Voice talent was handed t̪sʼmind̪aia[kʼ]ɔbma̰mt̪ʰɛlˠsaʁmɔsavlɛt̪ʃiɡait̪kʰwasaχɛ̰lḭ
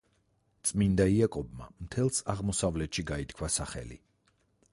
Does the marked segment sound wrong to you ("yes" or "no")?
no